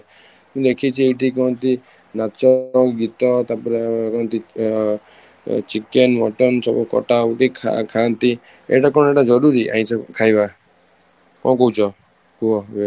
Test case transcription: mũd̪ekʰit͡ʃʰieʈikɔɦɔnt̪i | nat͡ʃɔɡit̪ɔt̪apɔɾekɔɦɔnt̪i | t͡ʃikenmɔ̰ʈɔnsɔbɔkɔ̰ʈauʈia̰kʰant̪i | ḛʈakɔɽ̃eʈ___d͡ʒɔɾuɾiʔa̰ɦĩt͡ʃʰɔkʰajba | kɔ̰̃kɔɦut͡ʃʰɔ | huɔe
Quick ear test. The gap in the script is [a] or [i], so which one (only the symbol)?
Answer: a